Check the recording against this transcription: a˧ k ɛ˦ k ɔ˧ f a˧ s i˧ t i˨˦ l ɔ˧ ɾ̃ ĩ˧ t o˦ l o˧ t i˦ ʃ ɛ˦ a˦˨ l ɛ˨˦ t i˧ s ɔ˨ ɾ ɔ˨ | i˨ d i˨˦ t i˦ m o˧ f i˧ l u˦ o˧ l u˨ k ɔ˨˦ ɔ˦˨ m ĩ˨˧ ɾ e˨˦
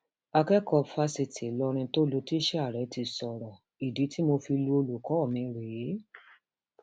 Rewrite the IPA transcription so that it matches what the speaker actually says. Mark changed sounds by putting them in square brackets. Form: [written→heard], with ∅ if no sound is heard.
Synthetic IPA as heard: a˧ k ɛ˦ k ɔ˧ f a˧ s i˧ t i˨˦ l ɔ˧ ɾ̃ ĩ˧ t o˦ l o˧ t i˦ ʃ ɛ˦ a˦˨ [l→ɾ] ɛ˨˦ t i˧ s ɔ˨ ɾ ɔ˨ | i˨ d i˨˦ t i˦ m o˧ f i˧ l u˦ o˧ l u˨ k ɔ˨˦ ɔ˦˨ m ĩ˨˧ ɾ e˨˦